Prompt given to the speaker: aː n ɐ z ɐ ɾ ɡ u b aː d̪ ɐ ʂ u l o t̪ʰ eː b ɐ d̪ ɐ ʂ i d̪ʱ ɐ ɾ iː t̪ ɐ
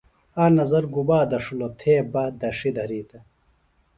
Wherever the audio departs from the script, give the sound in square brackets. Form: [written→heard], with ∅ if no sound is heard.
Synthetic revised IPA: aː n ɐ z ɐ ɾ ɡ u b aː d̪ ɐ ʂ u l o t̪ʰ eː b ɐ d̪ ɐ ʂ i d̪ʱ ɐ ɾ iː t̪ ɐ